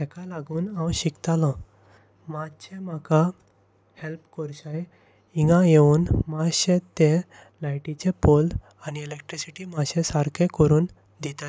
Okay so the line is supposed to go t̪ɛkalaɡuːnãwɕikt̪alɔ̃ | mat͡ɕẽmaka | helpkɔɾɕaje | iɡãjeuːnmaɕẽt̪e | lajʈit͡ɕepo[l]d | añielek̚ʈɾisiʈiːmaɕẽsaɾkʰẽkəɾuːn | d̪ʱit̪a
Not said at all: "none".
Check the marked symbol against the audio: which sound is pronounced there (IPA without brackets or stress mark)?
l